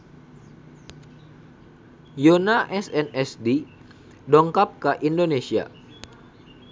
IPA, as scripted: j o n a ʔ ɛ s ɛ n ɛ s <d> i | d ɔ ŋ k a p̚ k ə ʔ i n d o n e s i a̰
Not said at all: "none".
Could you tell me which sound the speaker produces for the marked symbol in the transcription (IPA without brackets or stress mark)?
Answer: d